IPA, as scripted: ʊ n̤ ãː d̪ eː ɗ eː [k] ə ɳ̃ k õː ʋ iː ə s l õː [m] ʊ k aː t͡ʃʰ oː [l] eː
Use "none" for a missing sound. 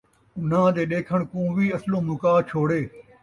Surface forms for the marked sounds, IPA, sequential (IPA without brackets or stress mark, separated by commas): kʰ, m, ɽ